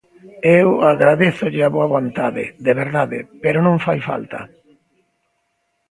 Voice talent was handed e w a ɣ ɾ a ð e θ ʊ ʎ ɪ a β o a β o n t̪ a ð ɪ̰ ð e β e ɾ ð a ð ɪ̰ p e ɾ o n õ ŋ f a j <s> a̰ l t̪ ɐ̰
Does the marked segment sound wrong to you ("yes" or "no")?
yes